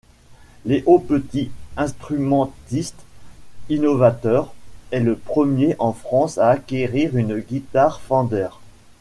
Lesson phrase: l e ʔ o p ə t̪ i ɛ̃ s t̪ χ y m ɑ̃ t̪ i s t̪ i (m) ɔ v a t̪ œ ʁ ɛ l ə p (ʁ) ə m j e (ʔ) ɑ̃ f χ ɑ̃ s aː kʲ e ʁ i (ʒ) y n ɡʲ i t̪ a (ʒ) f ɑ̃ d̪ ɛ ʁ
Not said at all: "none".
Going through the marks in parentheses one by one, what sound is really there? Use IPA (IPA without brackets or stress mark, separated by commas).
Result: n, χ, ʔ, ʁ, ʁ